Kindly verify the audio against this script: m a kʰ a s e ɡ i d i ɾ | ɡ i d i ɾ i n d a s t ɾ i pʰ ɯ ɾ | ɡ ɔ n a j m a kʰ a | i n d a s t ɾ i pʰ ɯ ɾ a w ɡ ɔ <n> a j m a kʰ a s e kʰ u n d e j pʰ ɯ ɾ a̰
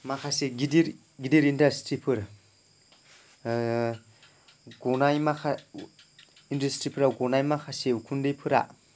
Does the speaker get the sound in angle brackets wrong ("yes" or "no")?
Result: no